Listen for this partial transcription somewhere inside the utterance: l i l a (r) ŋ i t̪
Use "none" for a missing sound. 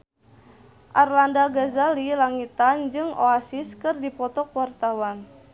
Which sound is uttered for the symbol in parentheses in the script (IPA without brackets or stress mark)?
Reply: none